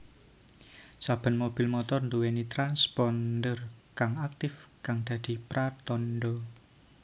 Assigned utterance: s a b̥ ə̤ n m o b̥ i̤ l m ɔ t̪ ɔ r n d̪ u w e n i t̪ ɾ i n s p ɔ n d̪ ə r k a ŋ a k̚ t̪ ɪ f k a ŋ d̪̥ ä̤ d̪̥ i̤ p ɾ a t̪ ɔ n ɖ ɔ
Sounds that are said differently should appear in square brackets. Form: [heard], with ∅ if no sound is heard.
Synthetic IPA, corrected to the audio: s a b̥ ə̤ n m o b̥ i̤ l m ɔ t̪ ɔ r n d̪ u w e n i t̪ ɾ [a] n s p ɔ n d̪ ə r k a ŋ a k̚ t̪ ɪ f k a ŋ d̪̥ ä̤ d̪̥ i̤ p ɾ a t̪ ɔ n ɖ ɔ